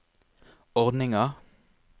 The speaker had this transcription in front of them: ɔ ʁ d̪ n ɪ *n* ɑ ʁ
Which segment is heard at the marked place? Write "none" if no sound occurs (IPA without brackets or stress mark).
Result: ŋ